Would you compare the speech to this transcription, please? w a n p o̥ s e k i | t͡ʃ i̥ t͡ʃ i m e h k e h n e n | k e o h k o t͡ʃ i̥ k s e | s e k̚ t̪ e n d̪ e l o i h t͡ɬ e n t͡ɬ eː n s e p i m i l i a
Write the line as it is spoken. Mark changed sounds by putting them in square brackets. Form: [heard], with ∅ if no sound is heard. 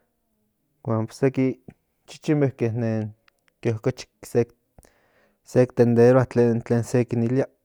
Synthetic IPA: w a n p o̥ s e k i | t͡ʃ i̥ t͡ʃ i m e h k e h n e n | k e o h k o t͡ʃ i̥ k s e | s e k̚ t̪ e n d̪ e [ɾ] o [a] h t͡ɬ e n t͡ɬ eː n s e [k] i [n] i l i a

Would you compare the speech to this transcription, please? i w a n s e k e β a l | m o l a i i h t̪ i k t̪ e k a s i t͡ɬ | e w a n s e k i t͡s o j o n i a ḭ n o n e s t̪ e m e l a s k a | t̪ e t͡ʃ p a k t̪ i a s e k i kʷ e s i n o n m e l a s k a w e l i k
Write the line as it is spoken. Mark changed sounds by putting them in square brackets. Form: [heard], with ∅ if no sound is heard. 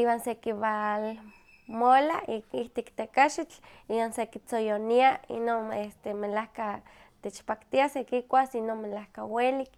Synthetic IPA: i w a n s e k [i] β a l | m o l a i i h t̪ i k t̪ e k a [ʃ] i t͡ɬ | [i] w a n s e k i t͡s o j o n i a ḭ n o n e s t̪ e m e l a [h] k a | t̪ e t͡ʃ p a k t̪ i a s e k i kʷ [a] s i n o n m e l a [h] k a w e l i k

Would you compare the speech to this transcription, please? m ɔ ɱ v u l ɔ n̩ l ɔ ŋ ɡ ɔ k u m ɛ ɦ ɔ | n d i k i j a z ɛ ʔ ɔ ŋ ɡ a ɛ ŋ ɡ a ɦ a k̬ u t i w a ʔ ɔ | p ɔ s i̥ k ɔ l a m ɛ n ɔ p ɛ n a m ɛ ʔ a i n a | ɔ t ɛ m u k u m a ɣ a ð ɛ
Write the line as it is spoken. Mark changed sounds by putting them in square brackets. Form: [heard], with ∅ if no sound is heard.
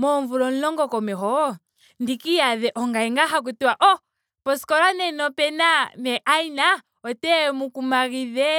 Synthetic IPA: m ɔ ɱ v u l ɔ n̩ l ɔ ŋ ɡ ɔ k [ɔ] m ɛ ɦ ɔ | n d i k i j a [ð] ɛ ʔ ɔ ŋ ɡ a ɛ ŋ ɡ a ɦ a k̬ u t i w a ʔ ɔ | p ɔ s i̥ k ɔ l a [n] ɛ n ɔ p ɛ n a m ɛ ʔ a i n a | ɔ t ɛ m u k u m a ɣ [i] ð ɛ

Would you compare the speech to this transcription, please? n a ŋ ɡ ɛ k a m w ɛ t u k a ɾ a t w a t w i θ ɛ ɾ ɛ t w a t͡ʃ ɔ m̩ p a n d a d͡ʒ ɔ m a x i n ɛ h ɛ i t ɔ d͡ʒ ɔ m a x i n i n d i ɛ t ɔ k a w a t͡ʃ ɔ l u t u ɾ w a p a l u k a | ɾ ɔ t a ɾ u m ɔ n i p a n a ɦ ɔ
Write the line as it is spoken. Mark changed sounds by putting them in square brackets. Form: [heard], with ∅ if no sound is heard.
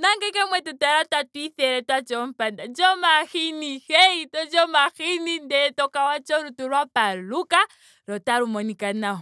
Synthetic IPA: n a ŋ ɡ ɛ k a m w ɛ t u [t] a ɾ a t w a t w i θ ɛ ɾ ɛ t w a t͡ʃ ɔ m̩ p a n d a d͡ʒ ɔ m a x i n [i] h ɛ i t ɔ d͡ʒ ɔ m a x i n i n d [ɛ] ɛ t ɔ k a w a t͡ʃ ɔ [ɾ] u t u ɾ w a p a l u k a | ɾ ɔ t a ɾ u m ɔ n i [k] a n a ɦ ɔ

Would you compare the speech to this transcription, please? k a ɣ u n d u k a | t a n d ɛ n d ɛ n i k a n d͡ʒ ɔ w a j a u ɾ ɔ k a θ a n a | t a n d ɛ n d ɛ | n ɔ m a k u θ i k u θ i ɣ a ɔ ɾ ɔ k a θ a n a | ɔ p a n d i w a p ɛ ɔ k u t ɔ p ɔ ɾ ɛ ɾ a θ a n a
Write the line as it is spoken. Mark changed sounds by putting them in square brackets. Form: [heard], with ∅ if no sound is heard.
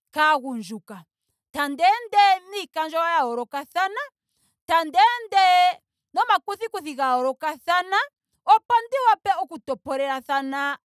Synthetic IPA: k a ɣ u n [d͡ʒ] u k a | t a n d ɛ n d ɛ n i k a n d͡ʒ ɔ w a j a [ɔ] ɾ ɔ k a θ a n a | t a n d ɛ n d ɛ | n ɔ m a k u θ i k u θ i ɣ a ɔ ɾ ɔ k a θ a n a | ɔ p a n d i w a p ɛ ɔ k u t ɔ p ɔ ɾ ɛ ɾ a θ a n a

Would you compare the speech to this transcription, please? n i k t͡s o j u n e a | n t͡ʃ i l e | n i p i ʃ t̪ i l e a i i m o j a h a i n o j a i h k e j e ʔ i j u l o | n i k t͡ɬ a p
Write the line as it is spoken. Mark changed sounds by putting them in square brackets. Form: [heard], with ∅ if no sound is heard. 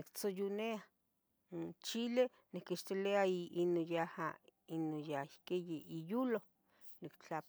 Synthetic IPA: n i k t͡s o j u n e a | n t͡ʃ i l e | n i [k] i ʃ t̪ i l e a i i [n] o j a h a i n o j a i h k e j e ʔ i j u l o | n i k t͡ɬ a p

